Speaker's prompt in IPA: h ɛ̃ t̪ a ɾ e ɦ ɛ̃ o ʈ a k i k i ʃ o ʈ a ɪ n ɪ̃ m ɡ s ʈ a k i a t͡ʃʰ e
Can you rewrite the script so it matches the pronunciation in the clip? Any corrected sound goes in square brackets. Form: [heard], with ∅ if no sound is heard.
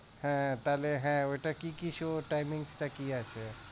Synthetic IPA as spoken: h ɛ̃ t̪ a [l] e ɦ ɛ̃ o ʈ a k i k i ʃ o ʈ a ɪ [m] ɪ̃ [ŋ] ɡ s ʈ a k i a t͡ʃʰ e